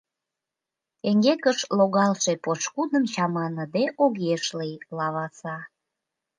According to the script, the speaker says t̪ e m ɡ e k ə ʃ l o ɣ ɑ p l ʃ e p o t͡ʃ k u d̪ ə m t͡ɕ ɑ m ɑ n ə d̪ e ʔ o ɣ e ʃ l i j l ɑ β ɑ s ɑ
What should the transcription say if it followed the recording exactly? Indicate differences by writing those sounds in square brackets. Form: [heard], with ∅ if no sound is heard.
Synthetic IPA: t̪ e [ŋ] ɡ e k ə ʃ l o ɣ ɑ [∅] l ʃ e p o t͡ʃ k u d̪ ə m t͡ɕ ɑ m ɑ n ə d̪ e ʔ o ɣ e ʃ l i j l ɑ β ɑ s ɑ